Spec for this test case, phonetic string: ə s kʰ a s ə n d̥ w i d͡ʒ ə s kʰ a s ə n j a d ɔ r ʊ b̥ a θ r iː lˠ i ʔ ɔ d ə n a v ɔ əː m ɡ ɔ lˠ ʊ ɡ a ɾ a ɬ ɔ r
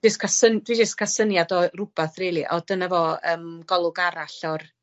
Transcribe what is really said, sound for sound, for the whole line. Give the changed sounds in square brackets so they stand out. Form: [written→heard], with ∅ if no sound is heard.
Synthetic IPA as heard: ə s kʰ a s ə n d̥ w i d͡ʒ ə s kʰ a s ə n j a d ɔ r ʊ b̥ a θ r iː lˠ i ʔ ɔ d ə n a v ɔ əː m ɡ ɔ lˠ ʊ ɡ a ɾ a ɬ ɔ r